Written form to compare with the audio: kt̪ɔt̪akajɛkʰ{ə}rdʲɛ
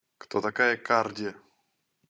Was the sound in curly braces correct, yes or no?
no